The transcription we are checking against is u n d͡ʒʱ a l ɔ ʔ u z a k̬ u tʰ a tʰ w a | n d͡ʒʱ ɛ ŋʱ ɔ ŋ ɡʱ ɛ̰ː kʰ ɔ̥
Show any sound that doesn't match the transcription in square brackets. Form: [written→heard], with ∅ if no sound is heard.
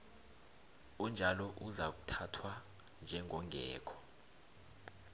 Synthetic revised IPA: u n d͡ʒʱ a l ɔ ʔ u z a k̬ u tʰ a tʰ w a | n d͡ʒʱ ɛ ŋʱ ɔ ŋ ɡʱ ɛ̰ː kʰ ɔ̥